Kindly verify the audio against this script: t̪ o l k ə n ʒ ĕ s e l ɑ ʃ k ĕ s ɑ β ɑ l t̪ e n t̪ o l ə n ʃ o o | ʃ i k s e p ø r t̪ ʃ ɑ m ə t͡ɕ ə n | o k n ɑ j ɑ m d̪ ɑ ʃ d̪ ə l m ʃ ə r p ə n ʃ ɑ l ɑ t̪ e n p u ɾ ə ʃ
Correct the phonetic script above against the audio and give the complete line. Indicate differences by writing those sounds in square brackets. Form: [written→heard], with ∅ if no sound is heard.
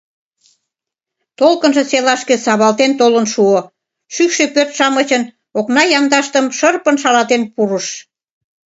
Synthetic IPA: t̪ o l k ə n ʒ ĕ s e l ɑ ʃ k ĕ s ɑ β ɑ l t̪ e n t̪ o l ə n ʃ [o→u] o | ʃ [i→y] k [s→ʃ] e p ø r t̪ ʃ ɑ m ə t͡ɕ ə n | o k n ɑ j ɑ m d̪ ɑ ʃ [d̪→t̪] ə [l→∅] m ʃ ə r p ə n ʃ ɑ l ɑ t̪ e n p u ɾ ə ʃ